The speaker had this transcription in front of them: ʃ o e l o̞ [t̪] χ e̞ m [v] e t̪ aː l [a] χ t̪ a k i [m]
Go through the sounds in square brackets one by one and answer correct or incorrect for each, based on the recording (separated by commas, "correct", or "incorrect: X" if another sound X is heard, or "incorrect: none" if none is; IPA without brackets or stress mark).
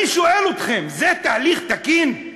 correct, incorrect: z, incorrect: i, incorrect: n